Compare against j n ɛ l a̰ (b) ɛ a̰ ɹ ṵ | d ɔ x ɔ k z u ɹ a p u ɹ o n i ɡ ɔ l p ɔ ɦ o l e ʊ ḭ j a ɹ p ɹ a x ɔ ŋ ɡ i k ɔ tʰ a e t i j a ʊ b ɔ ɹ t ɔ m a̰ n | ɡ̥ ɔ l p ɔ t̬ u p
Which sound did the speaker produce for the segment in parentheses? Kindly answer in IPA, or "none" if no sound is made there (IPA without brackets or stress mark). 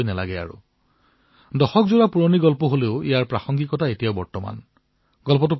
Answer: ɡ